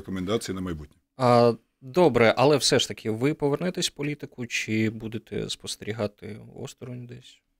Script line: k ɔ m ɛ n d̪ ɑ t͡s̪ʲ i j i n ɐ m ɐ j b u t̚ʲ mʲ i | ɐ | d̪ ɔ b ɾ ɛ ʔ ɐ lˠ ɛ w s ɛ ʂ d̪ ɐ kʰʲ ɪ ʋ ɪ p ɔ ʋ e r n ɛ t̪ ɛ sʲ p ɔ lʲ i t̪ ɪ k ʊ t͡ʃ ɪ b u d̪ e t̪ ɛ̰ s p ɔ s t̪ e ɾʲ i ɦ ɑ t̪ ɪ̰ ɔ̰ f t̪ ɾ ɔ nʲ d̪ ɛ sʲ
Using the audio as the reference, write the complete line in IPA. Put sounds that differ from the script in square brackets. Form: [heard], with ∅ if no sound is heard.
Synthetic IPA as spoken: k ɔ m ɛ n d̪ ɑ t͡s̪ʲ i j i n ɐ m ɐ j b u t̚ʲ [nʲ] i | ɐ | d̪ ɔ b ɾ ɛ ʔ ɐ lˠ ɛ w s ɛ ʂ [t̪] ɐ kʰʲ ɪ ʋ ɪ p ɔ ʋ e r n ɛ t̪ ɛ sʲ p ɔ lʲ i t̪ ɪ k ʊ t͡ʃ ɪ b u d̪ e t̪ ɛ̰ s p ɔ s t̪ e ɾʲ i ɦ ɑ t̪ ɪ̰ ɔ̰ [s] t̪ ɾ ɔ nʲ d̪ ɛ sʲ